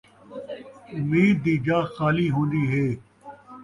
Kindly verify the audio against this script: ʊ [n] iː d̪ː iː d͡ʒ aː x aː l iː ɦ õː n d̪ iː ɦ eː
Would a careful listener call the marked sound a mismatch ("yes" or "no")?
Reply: yes